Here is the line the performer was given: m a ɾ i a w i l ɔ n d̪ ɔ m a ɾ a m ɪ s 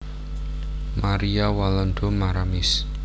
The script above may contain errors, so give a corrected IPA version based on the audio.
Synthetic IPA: m a ɾ i a w a l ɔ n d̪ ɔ m a ɾ a m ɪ s